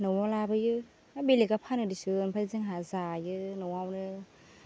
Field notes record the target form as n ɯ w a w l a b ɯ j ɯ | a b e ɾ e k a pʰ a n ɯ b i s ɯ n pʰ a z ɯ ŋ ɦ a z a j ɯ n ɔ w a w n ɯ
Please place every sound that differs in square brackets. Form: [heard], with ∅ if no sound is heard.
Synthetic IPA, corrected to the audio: n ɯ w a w l a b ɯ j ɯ | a b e [l] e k a pʰ a n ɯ [d] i s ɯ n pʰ a z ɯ ŋ ɦ a z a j ɯ n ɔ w a w n ɯ